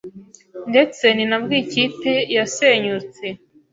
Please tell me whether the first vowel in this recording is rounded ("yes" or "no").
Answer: no